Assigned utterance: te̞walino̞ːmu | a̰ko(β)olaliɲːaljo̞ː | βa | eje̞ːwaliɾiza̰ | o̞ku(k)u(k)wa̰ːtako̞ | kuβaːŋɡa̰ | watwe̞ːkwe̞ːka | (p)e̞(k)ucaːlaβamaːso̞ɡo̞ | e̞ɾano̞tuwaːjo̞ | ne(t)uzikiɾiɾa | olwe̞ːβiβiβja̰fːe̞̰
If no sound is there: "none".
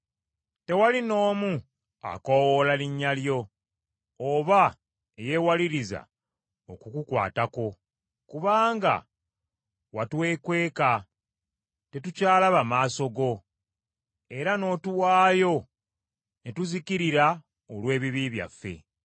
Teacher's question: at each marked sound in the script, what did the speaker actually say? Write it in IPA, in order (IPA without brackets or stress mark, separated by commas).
w, k, k, t, t, t